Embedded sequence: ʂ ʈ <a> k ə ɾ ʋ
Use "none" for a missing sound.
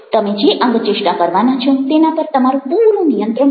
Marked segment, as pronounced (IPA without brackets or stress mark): a